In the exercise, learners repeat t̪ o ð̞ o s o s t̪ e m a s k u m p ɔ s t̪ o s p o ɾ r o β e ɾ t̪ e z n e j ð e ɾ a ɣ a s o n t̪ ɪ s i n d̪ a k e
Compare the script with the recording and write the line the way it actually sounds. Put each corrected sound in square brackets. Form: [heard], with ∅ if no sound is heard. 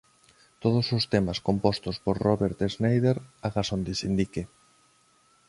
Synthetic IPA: t̪ o ð̞ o s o s t̪ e m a s k [o] m p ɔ s t̪ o s p o ɾ r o β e ɾ t̪ e z n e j ð e ɾ a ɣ a s o n [d̪] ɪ s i n d̪ [i] k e

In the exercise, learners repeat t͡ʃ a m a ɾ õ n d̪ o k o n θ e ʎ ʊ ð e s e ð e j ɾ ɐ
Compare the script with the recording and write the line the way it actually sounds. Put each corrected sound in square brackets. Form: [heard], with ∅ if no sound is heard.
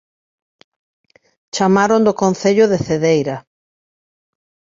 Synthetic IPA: t͡ʃ a m a ɾ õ n d̪ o k o n θ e ʎ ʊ ð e [θ] e ð e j ɾ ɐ

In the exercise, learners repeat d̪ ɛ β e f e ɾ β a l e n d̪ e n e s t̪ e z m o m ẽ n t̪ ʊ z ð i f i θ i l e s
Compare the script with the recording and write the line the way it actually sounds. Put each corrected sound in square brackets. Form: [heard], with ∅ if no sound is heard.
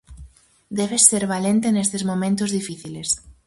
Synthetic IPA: d̪ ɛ β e [s] e ɾ β a l e n [t̪] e n e s t̪ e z m o m ẽ n t̪ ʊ z ð i f i θ i l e s

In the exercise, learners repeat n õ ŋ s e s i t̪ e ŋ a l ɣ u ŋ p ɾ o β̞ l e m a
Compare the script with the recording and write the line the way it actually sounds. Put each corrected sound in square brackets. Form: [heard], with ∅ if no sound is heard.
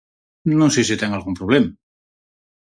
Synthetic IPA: n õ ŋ s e s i t̪ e ŋ a l ɣ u [m] p ɾ o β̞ l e m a

